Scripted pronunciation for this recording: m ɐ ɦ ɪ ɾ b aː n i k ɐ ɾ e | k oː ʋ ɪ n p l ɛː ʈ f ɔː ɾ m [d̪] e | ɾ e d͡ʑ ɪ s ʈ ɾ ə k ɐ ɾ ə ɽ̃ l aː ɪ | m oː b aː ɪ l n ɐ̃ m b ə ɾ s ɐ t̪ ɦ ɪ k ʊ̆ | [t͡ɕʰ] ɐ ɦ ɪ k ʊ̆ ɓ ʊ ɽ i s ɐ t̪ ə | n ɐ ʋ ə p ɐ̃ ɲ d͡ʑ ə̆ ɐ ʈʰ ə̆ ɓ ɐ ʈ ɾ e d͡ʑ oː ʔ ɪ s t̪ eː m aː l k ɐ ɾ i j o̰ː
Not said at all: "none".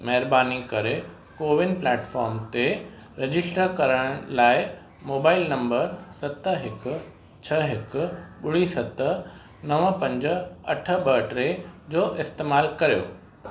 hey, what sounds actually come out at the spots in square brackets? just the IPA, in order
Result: t̪, t͡ɕʰ

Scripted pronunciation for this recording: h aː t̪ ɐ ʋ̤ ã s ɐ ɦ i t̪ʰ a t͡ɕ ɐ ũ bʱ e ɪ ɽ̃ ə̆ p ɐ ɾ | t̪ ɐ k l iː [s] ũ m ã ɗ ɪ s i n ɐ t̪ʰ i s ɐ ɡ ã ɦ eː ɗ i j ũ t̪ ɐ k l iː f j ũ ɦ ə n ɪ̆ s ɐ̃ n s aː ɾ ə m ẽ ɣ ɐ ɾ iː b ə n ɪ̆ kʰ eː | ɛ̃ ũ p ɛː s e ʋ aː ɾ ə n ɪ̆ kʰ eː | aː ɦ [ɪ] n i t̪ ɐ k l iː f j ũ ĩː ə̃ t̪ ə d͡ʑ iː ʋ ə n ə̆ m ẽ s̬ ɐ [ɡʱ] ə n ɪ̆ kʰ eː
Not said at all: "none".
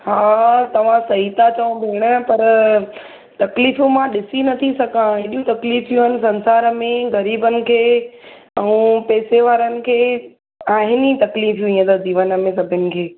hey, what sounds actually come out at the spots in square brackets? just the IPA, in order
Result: f, ɪ, bʱ

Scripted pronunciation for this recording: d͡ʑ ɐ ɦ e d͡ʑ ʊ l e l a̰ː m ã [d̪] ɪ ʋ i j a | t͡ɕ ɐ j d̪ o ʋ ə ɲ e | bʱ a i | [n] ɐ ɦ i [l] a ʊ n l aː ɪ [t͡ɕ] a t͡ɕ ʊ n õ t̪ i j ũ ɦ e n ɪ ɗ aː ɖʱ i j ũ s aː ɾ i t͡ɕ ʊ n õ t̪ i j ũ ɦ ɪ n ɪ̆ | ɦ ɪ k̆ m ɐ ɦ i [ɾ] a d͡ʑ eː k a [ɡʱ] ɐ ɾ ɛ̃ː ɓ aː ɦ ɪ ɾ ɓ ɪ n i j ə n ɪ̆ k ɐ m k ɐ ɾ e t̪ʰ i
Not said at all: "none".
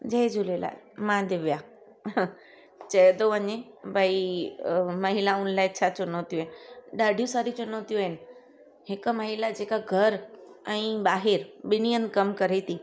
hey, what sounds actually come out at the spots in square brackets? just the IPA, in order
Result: d̪, m, l, t͡ɕʰ, l, ɡʱ

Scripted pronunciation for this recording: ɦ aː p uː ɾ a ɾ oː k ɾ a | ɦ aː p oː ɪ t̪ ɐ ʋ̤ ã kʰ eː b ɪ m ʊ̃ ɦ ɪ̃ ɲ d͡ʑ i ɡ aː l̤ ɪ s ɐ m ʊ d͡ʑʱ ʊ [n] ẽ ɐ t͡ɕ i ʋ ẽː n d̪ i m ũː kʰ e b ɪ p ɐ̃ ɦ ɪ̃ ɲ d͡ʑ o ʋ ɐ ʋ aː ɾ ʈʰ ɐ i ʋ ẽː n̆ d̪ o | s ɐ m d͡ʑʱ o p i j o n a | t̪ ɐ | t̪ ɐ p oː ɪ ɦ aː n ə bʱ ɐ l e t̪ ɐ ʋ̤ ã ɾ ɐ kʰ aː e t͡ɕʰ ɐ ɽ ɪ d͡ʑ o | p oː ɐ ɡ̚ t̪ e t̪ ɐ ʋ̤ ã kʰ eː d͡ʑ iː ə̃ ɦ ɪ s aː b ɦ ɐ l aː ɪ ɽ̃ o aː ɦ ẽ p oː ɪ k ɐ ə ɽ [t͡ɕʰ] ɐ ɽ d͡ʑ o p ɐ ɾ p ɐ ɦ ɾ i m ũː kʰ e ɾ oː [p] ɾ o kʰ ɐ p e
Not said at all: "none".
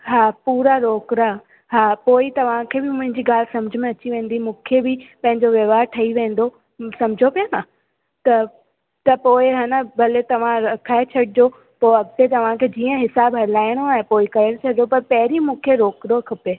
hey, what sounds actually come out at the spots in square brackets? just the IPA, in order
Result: m, t͡ɕʰ, k

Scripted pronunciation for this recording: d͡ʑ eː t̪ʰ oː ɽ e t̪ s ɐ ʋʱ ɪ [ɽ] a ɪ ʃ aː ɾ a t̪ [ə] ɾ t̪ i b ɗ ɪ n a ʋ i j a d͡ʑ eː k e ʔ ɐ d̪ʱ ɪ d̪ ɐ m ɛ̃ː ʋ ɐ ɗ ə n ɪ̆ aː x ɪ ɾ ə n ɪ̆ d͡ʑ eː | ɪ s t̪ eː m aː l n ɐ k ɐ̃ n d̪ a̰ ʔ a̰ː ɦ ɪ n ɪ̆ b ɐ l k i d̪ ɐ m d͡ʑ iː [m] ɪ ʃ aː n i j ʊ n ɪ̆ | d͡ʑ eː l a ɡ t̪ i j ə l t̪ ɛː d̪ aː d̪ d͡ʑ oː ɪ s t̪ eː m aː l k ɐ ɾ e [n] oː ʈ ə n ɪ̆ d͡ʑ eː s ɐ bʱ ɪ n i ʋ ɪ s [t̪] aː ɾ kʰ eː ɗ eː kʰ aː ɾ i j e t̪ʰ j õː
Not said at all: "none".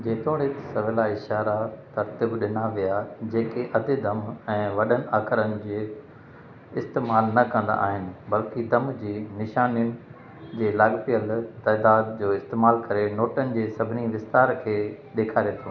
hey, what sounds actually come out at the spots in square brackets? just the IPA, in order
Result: l, ɐ, n, n, t̪

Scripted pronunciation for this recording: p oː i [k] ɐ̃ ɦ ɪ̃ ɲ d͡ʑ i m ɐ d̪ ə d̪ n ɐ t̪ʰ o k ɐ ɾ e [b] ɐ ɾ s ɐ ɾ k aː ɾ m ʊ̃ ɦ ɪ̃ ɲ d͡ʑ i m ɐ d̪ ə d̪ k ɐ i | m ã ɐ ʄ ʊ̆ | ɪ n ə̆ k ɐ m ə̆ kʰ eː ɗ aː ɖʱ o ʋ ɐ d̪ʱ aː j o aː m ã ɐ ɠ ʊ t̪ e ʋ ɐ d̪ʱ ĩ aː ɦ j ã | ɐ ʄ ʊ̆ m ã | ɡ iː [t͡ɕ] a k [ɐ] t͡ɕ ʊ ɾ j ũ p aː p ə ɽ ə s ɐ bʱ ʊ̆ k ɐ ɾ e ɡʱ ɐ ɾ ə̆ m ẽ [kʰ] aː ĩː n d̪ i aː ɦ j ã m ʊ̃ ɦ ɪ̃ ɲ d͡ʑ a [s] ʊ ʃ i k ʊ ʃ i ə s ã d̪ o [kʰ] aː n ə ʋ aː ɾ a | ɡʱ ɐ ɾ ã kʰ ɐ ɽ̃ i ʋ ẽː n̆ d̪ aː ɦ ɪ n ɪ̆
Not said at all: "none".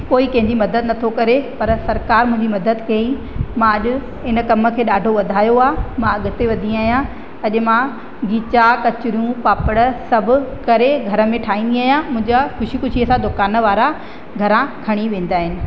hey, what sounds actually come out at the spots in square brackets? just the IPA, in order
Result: k, p, t͡ɕ, ɐ, ʈʰ, x, k

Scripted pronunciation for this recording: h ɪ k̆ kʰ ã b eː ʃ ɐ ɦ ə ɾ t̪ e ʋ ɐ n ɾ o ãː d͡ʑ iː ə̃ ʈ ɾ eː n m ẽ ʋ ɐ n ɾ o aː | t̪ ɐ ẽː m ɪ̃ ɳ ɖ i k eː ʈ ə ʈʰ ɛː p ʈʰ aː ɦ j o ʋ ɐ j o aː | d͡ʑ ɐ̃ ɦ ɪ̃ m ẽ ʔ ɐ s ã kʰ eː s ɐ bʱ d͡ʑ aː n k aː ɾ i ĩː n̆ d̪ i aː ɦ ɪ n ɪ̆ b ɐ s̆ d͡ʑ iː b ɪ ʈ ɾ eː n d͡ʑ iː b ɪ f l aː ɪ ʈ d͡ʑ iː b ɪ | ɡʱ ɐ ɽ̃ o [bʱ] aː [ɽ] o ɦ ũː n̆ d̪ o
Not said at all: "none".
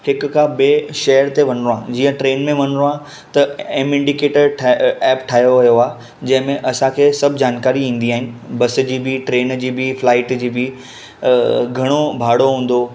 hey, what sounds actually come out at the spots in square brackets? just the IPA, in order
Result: bʱ, ɽ

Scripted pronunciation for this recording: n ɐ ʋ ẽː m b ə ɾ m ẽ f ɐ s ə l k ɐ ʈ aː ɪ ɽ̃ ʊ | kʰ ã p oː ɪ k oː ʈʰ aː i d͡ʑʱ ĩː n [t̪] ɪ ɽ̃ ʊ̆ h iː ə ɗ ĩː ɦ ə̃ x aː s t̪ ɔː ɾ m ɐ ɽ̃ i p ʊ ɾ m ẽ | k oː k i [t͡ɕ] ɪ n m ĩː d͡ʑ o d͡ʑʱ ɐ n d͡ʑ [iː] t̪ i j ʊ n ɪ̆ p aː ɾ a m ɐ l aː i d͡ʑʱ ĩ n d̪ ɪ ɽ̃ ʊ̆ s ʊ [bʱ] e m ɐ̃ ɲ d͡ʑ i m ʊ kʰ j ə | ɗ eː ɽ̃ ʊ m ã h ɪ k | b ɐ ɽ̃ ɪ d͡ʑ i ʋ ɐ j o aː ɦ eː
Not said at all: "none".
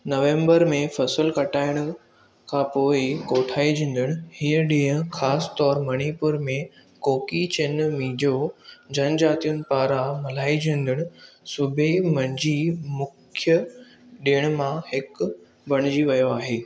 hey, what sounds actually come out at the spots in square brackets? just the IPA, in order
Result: d̪, t͡ɕ, aː, bʱ

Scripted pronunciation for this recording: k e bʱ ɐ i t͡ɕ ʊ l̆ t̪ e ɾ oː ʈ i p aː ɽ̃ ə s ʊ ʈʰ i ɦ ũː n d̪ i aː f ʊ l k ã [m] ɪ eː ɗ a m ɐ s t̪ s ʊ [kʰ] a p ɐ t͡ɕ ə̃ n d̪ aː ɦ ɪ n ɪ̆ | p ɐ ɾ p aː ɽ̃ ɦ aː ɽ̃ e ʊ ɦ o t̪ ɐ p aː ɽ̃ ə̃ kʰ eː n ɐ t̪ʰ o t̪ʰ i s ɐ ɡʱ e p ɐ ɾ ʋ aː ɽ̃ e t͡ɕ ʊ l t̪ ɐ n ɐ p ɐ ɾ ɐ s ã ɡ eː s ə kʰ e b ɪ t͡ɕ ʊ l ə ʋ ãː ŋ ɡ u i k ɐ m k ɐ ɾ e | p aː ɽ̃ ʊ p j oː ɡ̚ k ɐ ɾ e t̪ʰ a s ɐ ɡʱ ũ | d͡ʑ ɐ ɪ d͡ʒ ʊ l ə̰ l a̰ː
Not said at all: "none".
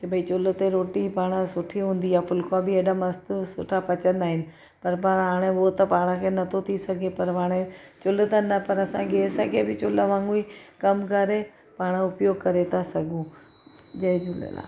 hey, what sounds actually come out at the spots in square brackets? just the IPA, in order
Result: b, ʈʰ

